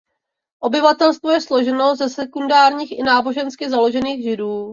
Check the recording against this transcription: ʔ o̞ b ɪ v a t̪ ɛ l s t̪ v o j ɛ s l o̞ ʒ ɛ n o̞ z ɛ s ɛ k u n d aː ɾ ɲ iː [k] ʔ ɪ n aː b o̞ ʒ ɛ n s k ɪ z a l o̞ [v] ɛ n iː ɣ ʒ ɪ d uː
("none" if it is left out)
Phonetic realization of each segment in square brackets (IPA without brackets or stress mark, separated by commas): x, ʒ